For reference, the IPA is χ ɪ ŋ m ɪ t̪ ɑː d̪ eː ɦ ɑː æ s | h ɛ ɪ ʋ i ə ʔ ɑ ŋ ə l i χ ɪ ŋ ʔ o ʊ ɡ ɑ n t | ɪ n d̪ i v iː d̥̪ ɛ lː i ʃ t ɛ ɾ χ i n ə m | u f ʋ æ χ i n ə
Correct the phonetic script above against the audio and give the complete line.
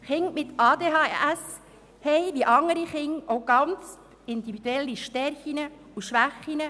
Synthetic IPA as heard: χ ɪ ŋ m ɪ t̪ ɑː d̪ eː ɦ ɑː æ s | h ɛ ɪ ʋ i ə ʔ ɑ ŋ ə ɾ i χ ɪ ŋ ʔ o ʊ ɡ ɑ n t͡s | ɪ n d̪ i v i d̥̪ ɛ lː i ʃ t ɛ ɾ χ i n ə | u ʃ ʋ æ χ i n ə